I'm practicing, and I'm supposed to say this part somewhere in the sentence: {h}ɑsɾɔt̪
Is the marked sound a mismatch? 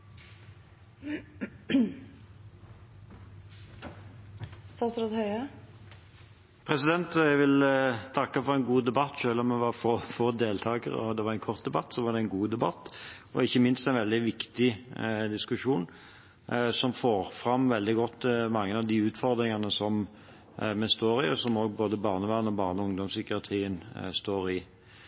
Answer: yes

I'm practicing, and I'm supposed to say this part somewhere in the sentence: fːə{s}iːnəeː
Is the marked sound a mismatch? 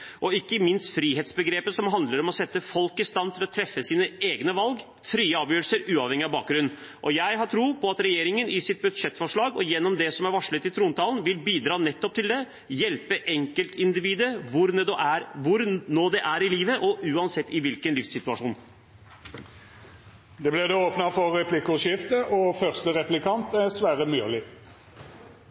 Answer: no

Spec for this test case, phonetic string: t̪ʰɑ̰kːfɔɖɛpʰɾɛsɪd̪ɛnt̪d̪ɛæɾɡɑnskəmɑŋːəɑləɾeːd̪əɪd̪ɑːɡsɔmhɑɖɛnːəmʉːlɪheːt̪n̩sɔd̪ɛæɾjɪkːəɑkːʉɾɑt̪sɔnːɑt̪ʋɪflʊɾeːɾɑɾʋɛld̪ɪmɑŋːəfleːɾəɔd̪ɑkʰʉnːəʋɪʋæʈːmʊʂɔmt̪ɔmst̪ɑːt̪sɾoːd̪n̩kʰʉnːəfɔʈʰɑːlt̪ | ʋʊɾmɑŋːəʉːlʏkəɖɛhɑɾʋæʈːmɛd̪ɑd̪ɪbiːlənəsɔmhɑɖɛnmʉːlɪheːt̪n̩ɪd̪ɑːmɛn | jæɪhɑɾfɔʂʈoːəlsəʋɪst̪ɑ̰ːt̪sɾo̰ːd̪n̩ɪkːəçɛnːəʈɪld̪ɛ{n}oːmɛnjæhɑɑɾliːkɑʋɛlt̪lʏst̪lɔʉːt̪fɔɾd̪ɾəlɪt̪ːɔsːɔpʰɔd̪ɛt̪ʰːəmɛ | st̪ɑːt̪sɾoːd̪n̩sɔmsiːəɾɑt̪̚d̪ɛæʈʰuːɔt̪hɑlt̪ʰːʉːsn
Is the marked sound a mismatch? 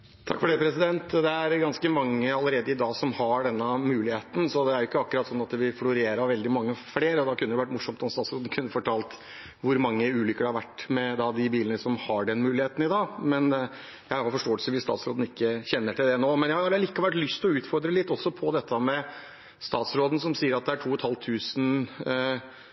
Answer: no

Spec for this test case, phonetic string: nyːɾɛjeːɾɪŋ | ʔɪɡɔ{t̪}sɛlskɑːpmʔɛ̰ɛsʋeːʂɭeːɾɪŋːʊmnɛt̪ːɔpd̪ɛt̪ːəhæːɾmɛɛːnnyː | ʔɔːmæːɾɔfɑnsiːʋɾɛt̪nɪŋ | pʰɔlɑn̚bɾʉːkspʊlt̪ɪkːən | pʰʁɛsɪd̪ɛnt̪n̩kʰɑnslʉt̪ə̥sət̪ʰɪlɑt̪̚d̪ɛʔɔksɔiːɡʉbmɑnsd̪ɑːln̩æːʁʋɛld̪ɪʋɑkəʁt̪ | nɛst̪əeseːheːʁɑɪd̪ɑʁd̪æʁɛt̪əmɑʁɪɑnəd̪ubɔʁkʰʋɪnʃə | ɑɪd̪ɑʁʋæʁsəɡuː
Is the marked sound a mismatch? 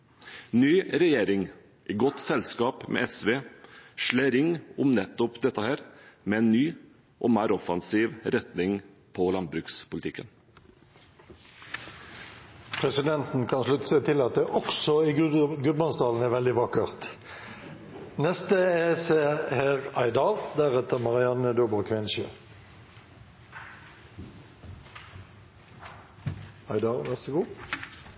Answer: no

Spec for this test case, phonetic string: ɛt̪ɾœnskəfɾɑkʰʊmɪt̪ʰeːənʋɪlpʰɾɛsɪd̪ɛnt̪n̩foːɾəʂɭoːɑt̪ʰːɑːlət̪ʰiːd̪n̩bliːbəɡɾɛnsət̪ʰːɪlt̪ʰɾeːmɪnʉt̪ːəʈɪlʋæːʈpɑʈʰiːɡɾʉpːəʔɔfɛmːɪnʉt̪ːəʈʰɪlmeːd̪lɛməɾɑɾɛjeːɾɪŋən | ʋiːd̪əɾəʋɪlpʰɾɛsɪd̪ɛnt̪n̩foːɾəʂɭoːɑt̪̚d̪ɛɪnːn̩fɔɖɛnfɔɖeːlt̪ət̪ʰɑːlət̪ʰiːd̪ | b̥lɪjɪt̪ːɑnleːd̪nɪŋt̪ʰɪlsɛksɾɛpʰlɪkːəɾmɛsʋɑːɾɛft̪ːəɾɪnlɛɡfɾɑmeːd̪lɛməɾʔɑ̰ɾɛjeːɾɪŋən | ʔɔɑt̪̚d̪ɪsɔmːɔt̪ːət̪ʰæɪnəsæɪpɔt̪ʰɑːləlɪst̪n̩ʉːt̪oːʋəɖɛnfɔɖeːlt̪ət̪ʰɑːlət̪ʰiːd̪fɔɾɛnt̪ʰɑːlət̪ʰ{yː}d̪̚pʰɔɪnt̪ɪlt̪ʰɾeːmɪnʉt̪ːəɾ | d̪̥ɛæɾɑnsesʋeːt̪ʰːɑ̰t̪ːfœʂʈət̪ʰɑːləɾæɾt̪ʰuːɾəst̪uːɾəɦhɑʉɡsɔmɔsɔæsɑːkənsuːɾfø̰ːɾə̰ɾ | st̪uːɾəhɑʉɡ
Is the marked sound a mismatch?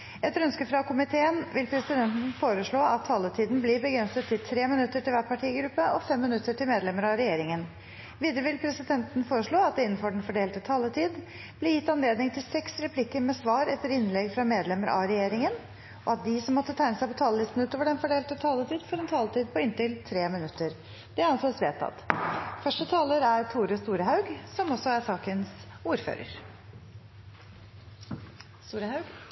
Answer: yes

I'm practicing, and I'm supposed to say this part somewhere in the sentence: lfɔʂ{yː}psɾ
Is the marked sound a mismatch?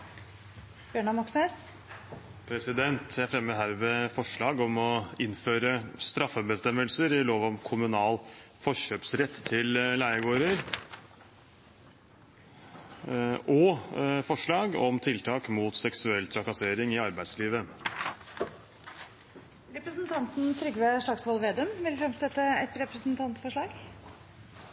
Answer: yes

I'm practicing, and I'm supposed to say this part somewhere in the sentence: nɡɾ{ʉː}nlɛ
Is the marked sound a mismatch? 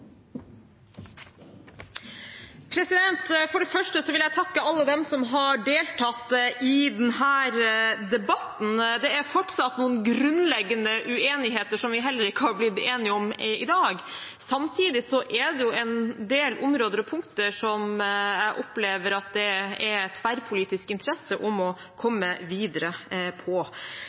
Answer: yes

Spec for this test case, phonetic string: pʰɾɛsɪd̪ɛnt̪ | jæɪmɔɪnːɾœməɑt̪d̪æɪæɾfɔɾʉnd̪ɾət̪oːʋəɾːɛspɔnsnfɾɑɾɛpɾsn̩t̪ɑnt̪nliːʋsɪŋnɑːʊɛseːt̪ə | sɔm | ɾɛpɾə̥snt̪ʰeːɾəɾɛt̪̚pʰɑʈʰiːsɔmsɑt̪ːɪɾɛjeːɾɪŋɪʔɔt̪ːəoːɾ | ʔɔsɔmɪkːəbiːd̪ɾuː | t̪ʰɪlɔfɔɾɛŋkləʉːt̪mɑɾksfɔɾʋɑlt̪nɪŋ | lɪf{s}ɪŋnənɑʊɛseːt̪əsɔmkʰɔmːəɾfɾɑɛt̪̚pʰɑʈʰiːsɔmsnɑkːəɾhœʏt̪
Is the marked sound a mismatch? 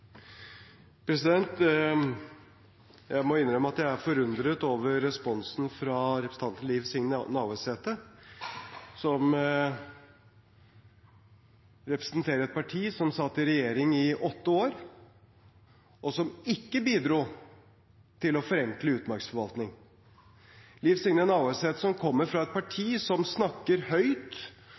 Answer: no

